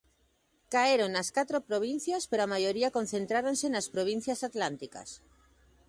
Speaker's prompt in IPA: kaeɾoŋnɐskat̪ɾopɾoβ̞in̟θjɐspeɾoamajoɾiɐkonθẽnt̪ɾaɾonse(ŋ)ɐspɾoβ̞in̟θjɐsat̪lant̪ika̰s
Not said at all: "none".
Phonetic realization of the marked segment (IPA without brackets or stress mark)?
n